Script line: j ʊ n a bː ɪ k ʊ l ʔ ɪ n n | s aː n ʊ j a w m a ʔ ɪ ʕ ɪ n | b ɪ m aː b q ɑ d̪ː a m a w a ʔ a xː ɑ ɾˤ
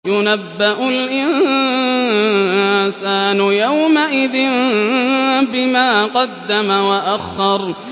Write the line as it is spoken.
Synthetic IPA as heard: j ʊ n a bː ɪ ʔ ʊ l ʔ ɪ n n | s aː n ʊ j a w m a ʔ ɪ ð ɪ n | b ɪ m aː q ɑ d̪ː a m a w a ʔ a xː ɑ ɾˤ